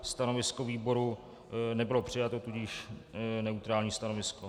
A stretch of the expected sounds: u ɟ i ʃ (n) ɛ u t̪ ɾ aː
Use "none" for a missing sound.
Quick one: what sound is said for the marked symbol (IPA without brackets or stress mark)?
n